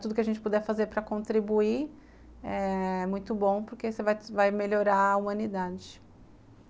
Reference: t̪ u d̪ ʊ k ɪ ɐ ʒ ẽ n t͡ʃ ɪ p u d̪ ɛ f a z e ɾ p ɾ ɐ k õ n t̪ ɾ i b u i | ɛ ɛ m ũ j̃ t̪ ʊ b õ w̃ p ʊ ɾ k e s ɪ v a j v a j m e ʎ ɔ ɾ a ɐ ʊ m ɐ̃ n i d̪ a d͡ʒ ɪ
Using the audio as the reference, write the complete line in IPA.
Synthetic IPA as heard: t̪ u d̪ ʊ k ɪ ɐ ʒ ẽ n t͡ʃ ɪ p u d̪ ɛ f a z e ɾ p ɾ ɐ k õ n t̪ ɾ i b u i | ɛ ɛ m ũ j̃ t̪ ʊ b õ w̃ p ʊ ɾ k e s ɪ v a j v a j m e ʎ o ɾ a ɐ u m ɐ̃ n i d̪ a d͡ʒ ɪ